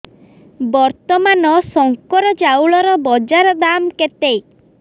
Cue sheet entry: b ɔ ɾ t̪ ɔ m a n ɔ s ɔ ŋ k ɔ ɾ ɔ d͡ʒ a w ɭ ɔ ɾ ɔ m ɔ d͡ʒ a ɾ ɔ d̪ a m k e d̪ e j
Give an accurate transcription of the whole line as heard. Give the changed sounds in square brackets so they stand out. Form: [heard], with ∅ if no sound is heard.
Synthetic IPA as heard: b ɔ ɾ t̪ ɔ m a n ɔ s ɔ ŋ k ɔ ɾ ɔ d͡ʒ a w ɭ ɔ ɾ ɔ [b] ɔ d͡ʒ a ɾ ɔ d̪ a m k e [t̪] e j